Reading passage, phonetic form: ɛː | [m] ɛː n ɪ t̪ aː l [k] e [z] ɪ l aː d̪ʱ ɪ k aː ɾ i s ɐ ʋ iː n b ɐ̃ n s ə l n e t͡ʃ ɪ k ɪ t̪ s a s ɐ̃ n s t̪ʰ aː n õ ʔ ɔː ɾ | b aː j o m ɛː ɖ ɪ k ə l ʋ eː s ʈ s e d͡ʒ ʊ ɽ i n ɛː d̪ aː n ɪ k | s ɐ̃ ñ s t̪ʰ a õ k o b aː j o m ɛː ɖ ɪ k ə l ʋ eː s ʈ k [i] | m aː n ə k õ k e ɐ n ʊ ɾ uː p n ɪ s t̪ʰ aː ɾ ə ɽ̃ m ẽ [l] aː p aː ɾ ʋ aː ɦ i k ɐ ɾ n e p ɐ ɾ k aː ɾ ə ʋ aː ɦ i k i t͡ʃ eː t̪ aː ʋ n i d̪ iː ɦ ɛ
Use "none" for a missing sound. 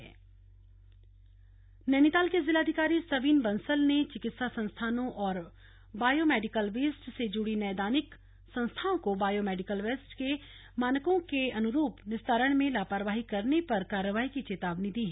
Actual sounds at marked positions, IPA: n, k, z, e, l

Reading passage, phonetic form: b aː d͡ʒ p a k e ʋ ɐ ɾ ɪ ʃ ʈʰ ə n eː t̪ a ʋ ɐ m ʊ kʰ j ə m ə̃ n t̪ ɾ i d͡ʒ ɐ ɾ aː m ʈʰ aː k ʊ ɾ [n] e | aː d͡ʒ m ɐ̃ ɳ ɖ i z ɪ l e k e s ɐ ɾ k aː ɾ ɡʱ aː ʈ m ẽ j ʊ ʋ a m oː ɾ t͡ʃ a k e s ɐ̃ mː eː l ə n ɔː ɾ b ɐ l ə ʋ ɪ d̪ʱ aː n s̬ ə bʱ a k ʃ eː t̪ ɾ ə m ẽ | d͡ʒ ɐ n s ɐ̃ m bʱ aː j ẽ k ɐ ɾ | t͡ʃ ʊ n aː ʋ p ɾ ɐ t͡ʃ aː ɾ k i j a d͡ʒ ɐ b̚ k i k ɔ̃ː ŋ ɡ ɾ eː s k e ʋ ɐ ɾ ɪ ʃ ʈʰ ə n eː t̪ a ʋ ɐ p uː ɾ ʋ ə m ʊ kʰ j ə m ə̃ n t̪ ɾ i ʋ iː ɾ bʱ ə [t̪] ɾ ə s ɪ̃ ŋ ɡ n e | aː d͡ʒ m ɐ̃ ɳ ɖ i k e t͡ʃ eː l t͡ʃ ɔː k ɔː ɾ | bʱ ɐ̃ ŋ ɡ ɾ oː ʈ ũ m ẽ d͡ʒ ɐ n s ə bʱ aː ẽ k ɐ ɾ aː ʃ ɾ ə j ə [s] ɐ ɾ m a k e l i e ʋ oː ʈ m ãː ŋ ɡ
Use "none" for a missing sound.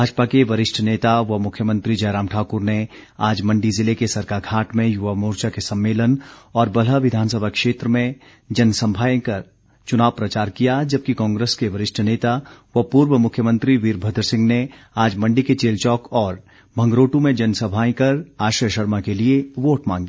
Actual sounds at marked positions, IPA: n, d̪, ʃ

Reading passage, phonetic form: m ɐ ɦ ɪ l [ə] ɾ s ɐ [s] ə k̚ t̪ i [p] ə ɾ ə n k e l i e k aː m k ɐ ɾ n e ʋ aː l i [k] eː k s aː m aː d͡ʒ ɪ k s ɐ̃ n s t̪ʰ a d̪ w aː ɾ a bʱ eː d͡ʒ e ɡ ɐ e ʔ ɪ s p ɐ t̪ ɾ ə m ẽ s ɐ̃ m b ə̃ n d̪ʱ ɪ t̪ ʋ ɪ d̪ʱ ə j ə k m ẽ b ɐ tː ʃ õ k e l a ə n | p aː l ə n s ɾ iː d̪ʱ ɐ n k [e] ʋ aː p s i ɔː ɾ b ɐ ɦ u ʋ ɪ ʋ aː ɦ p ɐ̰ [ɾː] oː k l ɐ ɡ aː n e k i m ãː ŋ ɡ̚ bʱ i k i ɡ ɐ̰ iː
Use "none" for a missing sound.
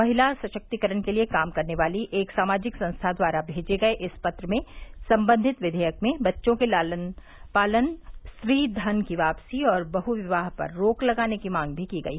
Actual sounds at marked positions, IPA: a, ʃ, k, ʔ, i, ɾː

